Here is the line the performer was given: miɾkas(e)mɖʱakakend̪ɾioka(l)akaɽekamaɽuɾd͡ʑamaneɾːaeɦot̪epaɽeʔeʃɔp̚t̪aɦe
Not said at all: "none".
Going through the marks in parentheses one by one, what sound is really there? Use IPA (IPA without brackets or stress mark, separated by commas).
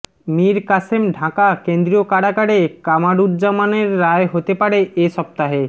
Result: e, ɽ